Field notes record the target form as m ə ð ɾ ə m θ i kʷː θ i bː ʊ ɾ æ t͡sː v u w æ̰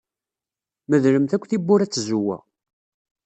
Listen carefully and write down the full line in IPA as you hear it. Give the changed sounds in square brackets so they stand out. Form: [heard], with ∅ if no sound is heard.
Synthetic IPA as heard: m ə ð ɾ ə m θ [æ] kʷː θ i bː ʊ ɾ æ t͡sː [z] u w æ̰